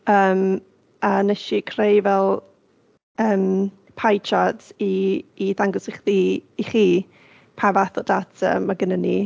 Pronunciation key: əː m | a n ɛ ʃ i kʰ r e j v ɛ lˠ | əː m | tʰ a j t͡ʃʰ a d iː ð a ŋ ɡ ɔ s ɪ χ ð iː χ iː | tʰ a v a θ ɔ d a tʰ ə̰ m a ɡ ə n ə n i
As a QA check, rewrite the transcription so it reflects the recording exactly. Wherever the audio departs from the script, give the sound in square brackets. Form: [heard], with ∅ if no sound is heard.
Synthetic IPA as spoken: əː m | a n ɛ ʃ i kʰ r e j v ɛ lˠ | əː m | [pʰ] a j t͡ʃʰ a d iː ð a ŋ ɡ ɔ s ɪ χ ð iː χ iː | [pʰ] a v a θ ɔ d a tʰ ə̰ m a ɡ ə n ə n i